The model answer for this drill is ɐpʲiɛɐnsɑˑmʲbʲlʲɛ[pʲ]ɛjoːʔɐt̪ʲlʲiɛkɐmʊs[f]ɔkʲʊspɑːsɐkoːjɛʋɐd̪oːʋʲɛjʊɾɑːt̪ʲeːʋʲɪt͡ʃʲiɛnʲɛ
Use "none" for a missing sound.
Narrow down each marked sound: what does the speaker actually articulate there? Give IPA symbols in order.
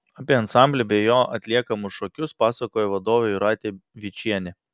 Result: bʲ, ʃ

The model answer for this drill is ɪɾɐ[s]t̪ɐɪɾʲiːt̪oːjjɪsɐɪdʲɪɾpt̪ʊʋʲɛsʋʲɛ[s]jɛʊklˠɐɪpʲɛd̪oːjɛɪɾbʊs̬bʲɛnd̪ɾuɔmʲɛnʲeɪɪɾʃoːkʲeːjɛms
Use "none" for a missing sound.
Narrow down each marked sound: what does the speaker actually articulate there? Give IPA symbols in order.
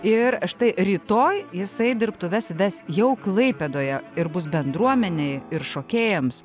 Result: ʃ, s

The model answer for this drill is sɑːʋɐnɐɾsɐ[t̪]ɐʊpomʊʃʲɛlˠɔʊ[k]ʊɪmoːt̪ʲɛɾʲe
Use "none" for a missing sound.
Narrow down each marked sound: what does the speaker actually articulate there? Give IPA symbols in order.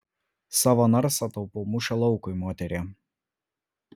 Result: t̪, k

